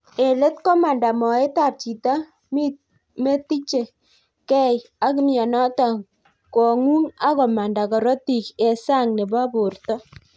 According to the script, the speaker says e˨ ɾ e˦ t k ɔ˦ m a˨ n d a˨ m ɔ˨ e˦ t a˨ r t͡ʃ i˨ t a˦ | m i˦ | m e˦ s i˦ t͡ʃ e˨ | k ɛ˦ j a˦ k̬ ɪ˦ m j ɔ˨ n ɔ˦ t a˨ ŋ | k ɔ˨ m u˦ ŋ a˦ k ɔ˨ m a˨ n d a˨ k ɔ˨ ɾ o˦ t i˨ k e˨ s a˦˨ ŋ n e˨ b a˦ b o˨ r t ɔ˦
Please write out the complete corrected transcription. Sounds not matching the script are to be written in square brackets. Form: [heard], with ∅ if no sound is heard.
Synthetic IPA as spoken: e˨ [l] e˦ t k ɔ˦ m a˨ n d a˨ m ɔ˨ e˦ t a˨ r t͡ʃ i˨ t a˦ | m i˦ | m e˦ [t] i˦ t͡ʃ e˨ | k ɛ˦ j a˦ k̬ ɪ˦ m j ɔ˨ n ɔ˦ t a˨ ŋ | k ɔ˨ [ŋ] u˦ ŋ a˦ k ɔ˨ m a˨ n d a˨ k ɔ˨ ɾ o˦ t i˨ k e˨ s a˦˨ ŋ n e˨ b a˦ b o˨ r t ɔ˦